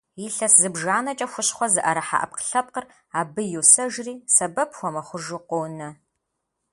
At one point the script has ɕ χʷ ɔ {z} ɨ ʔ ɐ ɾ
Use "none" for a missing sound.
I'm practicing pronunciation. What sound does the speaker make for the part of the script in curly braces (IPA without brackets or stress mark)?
z